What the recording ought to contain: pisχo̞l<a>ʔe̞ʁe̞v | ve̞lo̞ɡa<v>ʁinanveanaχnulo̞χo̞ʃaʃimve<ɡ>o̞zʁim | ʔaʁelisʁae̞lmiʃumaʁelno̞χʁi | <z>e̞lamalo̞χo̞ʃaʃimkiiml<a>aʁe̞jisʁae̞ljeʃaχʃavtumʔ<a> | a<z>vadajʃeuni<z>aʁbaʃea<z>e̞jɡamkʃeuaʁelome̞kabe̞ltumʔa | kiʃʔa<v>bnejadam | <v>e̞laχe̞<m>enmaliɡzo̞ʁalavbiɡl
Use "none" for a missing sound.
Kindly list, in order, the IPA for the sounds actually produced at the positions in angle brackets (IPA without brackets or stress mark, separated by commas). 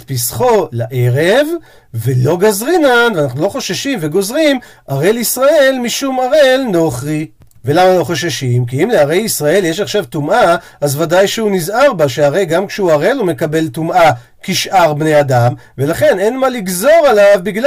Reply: a, z, ɡ, v, e, a, z, z, ʁ, ʁ, v, n